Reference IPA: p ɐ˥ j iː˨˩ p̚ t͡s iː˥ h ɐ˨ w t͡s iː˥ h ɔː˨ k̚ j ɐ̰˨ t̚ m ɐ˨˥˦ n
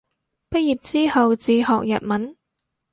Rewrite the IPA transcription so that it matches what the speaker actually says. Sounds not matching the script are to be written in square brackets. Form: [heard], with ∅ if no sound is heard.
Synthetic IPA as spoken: p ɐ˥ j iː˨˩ p̚ t͡s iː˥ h ɐ˨ w t͡s [iː˧] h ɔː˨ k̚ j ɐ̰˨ t̚ m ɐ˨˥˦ n